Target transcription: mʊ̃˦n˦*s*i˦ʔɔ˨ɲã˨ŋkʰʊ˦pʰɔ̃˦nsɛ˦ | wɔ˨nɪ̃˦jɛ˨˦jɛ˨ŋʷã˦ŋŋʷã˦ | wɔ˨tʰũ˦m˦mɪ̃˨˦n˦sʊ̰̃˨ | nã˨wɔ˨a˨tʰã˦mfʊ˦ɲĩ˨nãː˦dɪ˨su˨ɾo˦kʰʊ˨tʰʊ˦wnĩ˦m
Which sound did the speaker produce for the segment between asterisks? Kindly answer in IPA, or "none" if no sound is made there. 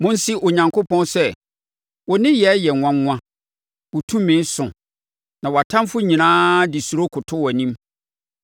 s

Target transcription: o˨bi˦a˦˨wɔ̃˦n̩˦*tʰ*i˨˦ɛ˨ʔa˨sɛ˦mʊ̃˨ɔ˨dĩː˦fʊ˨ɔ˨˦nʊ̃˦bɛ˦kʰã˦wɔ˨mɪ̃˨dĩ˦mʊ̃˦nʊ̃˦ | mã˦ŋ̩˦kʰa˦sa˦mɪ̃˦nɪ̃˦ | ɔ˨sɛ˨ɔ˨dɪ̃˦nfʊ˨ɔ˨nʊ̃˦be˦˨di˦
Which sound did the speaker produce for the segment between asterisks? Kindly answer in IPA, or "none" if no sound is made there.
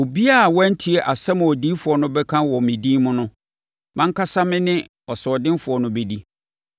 tʰ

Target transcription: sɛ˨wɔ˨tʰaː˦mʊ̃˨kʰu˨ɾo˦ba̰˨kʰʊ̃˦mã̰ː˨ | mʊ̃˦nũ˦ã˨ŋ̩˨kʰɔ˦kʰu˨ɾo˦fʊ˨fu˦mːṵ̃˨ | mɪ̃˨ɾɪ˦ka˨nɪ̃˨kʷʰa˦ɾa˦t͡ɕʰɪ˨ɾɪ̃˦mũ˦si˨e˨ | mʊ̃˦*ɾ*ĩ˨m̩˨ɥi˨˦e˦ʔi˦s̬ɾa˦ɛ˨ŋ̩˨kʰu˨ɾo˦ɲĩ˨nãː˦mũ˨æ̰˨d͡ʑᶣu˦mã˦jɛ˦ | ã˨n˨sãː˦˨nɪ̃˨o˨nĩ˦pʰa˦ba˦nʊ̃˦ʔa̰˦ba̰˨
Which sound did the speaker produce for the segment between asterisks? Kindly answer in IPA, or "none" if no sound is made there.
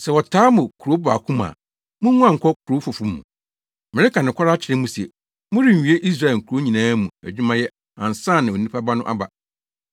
ɾ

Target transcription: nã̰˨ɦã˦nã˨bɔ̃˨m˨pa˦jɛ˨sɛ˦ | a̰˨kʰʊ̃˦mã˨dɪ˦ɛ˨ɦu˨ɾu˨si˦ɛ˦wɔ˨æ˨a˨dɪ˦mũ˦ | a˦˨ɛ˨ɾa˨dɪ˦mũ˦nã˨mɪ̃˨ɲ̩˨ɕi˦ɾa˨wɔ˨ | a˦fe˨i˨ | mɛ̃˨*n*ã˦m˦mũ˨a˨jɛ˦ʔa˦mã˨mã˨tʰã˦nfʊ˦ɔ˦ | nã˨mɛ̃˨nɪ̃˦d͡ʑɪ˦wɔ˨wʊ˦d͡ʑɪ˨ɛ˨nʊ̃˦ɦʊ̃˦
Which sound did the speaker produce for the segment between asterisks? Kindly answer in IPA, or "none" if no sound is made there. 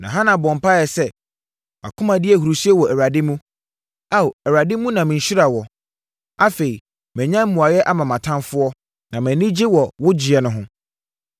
ɲ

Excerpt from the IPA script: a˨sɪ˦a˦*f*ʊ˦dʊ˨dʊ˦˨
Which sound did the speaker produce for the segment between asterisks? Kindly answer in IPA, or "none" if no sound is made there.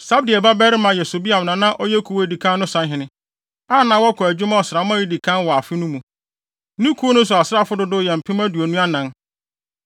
f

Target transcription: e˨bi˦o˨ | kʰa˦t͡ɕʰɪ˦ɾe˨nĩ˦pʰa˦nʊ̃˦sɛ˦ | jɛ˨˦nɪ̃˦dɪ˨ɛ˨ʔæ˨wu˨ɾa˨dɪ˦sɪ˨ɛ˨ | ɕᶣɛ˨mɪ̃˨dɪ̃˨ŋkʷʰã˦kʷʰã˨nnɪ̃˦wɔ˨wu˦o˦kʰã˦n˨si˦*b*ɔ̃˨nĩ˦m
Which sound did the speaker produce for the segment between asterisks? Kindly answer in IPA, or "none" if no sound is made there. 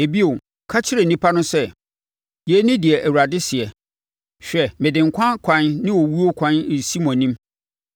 m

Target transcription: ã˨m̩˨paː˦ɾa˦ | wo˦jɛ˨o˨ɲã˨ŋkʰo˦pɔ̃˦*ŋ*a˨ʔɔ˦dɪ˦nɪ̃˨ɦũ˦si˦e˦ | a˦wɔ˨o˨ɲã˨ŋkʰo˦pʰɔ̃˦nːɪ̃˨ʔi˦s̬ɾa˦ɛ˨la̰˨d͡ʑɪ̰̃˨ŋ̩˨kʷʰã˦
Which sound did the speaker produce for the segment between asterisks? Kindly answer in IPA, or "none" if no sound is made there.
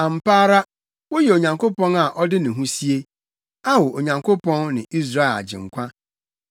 n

